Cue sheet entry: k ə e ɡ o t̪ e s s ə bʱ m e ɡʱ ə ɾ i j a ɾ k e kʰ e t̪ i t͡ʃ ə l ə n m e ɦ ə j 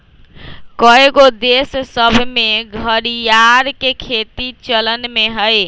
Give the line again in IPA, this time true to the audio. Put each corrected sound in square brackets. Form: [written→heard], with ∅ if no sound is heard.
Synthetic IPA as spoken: k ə e ɡ o [t̪→d̪] e s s ə bʱ m e ɡʱ ə ɾ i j a ɾ k e kʰ e t̪ i t͡ʃ ə l ə n m e ɦ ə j